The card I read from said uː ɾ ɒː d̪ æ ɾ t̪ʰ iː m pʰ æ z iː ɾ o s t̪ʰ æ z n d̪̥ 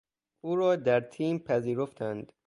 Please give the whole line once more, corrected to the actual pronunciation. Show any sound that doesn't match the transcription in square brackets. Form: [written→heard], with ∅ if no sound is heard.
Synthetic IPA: uː ɾ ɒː d̪ æ ɾ t̪ʰ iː m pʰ æ z iː ɾ o [s→f] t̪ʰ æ [z→∅] n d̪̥